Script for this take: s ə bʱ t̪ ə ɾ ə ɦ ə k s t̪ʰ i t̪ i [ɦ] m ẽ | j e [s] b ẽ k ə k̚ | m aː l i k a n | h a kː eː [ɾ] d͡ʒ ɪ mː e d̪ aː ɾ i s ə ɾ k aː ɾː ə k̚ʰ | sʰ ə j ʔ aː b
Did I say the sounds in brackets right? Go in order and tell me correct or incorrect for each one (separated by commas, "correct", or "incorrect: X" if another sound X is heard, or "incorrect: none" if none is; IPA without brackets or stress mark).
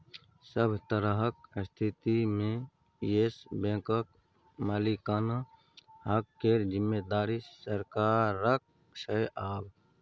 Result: incorrect: none, correct, correct